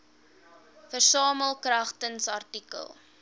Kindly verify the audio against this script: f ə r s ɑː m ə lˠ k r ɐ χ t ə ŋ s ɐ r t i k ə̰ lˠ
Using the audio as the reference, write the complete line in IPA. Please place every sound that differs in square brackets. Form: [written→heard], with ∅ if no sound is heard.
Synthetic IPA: f ə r s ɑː m ə lˠ k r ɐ χ t ə [ŋ→n] s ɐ r t i k ə̰ lˠ